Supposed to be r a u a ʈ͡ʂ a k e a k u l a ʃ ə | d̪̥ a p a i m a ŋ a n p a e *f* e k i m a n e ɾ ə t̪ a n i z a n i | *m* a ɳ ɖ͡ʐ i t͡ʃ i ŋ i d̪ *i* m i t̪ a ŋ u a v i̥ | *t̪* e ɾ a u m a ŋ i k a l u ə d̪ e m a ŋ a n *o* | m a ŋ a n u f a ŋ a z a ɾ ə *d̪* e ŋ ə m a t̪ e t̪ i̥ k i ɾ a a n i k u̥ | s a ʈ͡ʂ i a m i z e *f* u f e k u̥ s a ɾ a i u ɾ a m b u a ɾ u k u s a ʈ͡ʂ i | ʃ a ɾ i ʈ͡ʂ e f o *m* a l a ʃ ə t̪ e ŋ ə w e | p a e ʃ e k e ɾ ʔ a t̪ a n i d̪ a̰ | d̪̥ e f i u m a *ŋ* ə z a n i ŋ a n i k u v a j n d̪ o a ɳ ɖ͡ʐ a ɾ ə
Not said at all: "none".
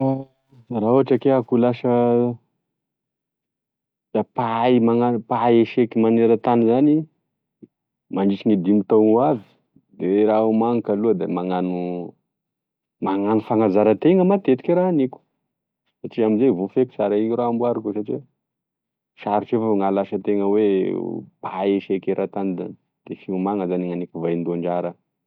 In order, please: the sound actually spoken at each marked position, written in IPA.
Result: ʃ, m, i, d̪, u, t̪, v, ŋ, ŋ

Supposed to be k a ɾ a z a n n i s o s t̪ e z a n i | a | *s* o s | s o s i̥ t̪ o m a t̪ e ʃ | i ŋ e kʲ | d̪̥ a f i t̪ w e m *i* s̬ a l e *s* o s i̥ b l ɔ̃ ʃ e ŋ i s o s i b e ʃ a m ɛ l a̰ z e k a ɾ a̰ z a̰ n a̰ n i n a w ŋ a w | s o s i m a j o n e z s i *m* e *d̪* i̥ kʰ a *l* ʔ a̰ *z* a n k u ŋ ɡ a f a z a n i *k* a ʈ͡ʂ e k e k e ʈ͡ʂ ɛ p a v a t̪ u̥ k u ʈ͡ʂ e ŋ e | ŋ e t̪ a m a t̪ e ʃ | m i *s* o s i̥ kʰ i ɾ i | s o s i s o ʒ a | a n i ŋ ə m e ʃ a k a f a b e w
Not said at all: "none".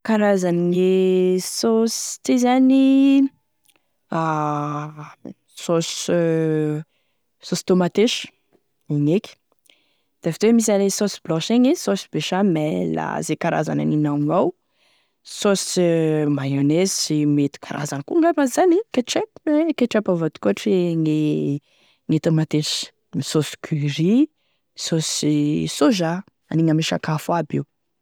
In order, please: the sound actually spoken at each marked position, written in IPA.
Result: s, i, s, m, t̪, ɾ, z, k, s

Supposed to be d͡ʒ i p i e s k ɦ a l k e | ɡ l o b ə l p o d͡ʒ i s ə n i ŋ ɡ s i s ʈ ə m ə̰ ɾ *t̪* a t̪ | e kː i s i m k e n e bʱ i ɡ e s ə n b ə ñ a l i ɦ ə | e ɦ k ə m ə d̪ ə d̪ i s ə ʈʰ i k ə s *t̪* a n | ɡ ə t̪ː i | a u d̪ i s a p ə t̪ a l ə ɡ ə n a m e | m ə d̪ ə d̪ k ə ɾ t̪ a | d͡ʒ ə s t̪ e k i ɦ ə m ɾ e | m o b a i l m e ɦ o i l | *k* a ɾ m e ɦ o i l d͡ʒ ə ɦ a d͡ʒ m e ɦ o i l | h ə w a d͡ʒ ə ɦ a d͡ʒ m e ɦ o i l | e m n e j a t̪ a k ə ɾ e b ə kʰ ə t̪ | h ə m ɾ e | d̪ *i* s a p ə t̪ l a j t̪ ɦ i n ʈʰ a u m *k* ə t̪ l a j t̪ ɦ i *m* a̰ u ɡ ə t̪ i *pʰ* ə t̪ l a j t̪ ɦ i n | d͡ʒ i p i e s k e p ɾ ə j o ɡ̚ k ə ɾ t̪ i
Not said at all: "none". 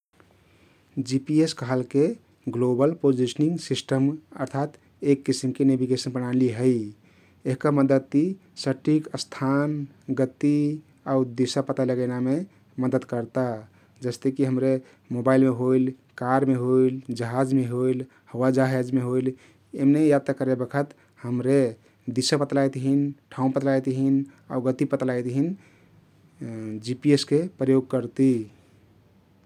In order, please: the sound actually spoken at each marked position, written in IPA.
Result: t̪ʰ, t̪ʰ, k, i, p, n, p

